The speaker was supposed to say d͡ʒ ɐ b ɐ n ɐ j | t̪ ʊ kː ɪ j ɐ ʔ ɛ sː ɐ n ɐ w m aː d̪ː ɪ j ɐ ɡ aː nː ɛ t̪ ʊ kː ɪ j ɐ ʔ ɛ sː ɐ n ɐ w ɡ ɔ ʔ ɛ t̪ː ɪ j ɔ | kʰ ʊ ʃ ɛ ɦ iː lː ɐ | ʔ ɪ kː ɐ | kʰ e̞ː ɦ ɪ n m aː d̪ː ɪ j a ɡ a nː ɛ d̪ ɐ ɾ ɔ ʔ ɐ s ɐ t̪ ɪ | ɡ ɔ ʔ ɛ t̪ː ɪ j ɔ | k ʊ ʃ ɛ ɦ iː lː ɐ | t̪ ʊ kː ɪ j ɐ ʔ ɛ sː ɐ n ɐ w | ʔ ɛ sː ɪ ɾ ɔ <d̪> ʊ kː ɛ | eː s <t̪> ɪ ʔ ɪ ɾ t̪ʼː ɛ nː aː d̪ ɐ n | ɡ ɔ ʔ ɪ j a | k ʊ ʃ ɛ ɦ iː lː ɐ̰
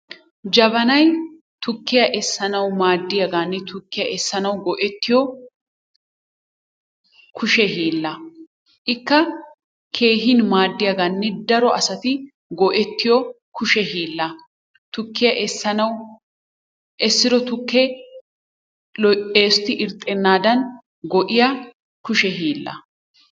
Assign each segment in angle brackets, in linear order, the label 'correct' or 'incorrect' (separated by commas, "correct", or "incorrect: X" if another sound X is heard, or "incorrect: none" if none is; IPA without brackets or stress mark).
incorrect: t̪, correct